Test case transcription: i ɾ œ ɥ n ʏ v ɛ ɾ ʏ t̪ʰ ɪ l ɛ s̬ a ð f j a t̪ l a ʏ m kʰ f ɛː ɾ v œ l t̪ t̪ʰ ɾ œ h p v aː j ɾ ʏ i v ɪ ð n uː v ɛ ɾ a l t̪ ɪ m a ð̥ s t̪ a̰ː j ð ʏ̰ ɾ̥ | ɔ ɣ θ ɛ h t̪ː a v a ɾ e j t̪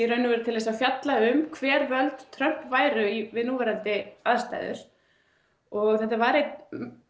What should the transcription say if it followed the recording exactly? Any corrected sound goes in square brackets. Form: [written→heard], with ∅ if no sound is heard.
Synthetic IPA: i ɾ œ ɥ n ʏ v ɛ ɾ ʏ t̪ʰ ɪ l ɛ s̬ a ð f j a t̪ l a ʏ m kʰ [f→v] ɛː ɾ v œ l t̪ t̪ʰ ɾ œ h p v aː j ɾ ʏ i v ɪ ð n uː v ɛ ɾ a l t̪ ɪ [m→∅] a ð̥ s t̪ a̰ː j ð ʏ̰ ɾ̥ | ɔ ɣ θ ɛ h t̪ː a v a ɾ e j t̪